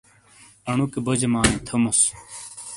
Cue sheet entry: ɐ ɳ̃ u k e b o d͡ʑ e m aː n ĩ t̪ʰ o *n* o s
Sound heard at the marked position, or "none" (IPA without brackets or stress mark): m